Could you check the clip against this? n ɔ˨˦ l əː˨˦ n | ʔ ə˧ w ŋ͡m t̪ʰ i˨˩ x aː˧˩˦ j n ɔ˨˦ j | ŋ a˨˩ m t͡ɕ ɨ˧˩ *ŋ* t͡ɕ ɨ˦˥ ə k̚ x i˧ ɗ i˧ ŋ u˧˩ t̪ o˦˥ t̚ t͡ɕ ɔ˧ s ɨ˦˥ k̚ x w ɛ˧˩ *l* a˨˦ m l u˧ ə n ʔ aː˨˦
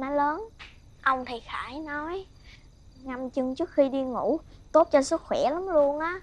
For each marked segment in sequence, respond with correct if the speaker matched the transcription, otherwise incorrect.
correct, correct

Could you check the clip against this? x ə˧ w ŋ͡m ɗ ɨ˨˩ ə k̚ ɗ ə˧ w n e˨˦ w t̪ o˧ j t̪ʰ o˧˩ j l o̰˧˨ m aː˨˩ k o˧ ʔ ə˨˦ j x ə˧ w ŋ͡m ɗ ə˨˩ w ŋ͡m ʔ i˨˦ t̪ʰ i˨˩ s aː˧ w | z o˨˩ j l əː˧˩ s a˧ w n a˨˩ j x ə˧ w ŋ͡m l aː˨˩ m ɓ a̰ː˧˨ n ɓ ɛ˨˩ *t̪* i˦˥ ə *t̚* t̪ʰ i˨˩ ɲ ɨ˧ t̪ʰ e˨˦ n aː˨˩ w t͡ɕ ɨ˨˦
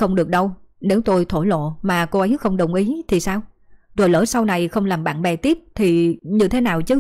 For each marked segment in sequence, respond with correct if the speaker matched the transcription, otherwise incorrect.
correct, incorrect

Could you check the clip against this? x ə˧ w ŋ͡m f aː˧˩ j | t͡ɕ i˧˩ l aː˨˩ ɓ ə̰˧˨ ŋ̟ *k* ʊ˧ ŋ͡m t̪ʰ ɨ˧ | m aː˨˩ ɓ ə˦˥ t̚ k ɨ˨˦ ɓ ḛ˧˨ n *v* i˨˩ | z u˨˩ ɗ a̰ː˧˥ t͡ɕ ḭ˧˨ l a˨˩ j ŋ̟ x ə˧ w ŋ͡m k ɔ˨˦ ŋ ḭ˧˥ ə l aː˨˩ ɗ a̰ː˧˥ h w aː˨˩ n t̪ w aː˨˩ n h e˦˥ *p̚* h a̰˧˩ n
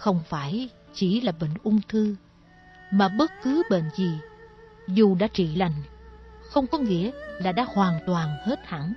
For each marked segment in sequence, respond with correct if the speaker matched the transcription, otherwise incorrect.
incorrect, incorrect, incorrect

